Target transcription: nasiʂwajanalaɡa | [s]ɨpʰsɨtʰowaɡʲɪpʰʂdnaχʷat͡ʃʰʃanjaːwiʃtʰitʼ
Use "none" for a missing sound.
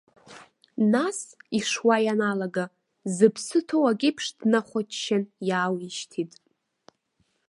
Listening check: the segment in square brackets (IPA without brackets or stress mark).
z